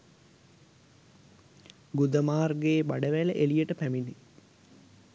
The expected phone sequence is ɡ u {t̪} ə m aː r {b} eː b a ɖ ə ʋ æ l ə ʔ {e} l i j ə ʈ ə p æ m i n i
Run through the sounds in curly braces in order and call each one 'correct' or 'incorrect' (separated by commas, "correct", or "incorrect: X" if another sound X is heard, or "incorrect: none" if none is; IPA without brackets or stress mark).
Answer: incorrect: d̪, incorrect: ɡ, correct